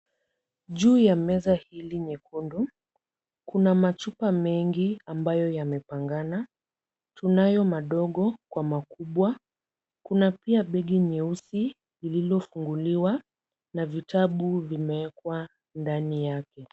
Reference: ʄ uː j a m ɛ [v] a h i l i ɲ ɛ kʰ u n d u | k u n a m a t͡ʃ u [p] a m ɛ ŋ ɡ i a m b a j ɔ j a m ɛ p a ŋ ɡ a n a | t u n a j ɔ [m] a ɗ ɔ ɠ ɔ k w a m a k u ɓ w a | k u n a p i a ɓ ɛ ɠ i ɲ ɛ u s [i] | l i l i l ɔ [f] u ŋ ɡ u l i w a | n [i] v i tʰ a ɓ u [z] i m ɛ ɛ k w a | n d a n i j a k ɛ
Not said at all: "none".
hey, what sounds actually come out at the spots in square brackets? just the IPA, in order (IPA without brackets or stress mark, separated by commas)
z, p, m, i, f, a, v